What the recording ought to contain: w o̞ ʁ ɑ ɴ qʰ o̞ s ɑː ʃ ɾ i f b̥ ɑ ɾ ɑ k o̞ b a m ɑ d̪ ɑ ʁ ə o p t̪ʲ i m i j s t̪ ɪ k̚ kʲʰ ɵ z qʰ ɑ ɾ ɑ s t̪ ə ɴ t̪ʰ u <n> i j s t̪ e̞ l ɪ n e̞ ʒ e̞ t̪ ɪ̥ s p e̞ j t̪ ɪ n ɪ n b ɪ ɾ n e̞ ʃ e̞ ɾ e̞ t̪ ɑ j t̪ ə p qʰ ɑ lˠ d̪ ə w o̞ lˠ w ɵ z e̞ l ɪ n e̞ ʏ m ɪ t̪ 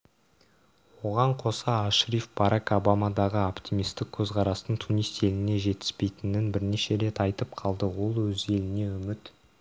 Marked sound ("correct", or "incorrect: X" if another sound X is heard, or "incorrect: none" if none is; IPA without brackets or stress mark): correct